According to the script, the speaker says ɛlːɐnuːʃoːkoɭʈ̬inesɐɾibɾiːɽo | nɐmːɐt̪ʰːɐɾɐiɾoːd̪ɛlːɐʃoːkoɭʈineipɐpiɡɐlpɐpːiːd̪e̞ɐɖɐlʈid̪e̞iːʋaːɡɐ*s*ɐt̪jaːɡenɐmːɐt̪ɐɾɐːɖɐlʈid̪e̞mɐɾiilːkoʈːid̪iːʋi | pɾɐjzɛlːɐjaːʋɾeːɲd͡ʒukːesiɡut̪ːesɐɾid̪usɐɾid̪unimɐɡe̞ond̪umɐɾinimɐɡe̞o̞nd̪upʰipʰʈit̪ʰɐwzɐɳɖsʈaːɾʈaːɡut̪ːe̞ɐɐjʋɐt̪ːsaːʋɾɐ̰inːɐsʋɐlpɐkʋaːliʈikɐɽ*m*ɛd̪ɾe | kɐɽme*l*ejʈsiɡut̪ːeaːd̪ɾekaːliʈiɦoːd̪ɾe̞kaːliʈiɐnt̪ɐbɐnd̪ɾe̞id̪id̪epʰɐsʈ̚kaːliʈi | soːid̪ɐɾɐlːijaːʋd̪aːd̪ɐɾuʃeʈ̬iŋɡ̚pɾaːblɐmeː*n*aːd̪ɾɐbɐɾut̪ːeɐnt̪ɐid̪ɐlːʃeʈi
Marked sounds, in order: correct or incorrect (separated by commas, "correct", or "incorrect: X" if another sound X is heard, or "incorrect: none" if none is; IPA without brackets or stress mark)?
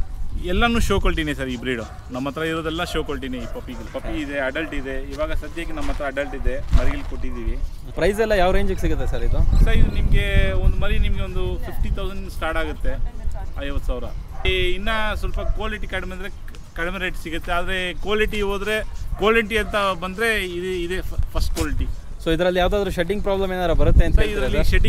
correct, correct, incorrect: ɾ, correct